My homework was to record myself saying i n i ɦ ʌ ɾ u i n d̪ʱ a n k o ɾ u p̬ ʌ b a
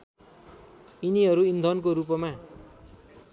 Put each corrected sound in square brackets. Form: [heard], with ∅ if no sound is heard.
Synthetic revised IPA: i n i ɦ ʌ ɾ u i n d̪ʱ [ʌ] n k o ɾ u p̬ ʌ [m] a

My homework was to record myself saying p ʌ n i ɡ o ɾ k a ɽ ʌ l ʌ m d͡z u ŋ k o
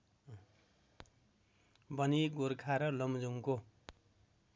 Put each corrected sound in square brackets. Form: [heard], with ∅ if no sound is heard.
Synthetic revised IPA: [b] ʌ n i ɡ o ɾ [kʰ] a [ɾ] ʌ l ʌ m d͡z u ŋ k o

